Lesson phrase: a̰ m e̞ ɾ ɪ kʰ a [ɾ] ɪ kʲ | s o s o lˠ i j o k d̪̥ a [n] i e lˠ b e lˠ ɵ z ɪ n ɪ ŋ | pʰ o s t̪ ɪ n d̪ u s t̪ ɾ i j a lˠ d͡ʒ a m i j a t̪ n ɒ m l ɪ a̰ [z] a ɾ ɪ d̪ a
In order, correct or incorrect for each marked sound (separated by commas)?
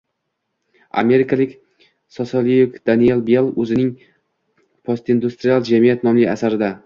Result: incorrect, correct, incorrect